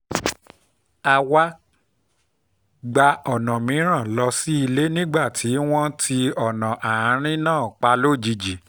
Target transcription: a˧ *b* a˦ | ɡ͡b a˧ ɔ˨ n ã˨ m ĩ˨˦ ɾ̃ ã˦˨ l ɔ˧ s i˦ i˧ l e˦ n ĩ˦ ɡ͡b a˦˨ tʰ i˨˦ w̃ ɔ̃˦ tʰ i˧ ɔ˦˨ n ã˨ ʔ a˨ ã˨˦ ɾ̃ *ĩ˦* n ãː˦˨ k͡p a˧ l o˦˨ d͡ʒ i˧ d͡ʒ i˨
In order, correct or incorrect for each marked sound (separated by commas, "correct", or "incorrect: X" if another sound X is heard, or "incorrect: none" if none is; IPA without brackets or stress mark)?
incorrect: w, correct